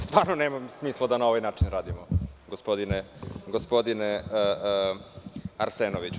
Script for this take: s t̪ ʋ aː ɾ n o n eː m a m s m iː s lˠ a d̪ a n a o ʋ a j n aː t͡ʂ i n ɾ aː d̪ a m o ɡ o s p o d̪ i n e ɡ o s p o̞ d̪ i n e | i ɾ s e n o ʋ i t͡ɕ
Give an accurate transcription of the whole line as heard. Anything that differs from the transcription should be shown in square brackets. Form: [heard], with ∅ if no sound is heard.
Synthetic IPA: s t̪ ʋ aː ɾ n o n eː m a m s m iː s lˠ a d̪ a n a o ʋ a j n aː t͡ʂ i n ɾ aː d̪ [i] m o ɡ o s p o d̪ i n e ɡ o s p o̞ d̪ i n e | [a] ɾ s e n o ʋ i t͡ɕ